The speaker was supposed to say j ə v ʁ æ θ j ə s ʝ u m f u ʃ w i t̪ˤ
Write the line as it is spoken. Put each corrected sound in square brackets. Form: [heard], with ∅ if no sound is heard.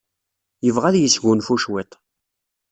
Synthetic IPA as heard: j ə v ʁ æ [ð] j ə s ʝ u [n] f u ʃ w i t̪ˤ